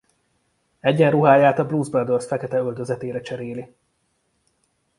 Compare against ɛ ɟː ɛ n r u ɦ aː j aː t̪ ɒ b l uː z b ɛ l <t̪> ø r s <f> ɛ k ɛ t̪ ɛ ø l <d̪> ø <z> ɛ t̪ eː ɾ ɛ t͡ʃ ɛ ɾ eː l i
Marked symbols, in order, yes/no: no, yes, yes, yes

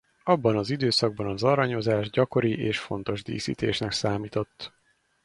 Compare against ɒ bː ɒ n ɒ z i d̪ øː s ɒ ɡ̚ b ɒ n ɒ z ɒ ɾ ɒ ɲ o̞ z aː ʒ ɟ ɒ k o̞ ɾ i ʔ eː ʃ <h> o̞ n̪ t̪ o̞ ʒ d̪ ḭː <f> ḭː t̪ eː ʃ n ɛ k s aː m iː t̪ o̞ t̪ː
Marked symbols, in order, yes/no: no, no

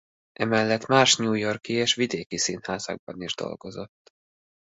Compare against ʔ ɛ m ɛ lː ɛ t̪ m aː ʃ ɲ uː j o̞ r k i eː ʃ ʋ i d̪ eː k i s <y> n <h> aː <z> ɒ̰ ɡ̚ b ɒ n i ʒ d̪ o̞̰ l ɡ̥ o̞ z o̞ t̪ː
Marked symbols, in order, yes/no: no, yes, yes

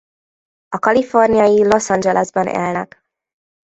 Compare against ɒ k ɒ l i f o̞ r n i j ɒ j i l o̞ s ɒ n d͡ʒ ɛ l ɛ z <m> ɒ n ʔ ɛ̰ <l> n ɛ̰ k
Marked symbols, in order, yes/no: no, yes

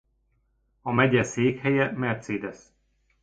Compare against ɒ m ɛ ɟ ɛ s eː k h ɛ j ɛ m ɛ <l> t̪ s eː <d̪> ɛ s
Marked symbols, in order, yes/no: no, yes

